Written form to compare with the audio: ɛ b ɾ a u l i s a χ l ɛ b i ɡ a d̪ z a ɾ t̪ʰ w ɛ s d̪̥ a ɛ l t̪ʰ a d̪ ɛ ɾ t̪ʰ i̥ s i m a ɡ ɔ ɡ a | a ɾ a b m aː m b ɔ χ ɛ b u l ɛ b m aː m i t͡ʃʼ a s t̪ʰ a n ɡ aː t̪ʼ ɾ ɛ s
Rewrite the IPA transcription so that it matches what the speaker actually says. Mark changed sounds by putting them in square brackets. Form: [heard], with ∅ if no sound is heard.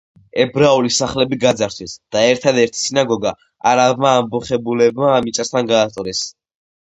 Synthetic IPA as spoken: ɛ b ɾ a u l i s a χ l ɛ b i ɡ a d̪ z a ɾ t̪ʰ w ɛ s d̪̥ a ɛ [ɾ] t̪ʰ a d̪ ɛ ɾ t̪ʰ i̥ s i [n] a ɡ ɔ ɡ a | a ɾ a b m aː m b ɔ χ ɛ b u l ɛ b m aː m i t͡ʃʼ a s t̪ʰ a n ɡ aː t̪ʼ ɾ ɛ s